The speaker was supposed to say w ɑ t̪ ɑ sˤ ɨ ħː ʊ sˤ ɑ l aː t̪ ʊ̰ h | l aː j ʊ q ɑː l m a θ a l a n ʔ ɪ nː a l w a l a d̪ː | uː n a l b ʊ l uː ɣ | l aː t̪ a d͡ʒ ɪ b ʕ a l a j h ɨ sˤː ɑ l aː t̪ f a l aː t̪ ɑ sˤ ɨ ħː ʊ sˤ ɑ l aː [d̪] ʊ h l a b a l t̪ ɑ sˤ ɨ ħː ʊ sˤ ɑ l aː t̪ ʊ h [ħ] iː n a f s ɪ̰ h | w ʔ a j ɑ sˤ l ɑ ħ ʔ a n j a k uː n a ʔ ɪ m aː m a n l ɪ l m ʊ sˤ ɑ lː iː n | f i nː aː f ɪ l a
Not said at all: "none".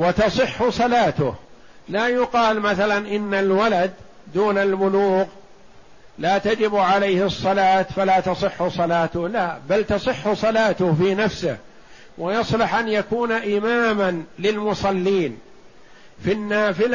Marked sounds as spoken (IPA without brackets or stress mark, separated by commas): t̪, f